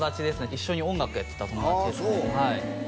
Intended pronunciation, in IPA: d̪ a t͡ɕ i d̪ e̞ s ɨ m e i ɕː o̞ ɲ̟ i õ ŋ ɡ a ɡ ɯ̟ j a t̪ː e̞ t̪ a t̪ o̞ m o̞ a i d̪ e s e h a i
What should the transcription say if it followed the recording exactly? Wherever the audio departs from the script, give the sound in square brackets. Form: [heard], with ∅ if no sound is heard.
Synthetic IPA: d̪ a t͡ɕ i d̪ e̞ s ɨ [n] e i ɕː o̞ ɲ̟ i õ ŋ ɡ a [k] ɯ̟ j a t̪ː e̞ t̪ a t̪ o̞ m o̞ a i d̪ e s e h a i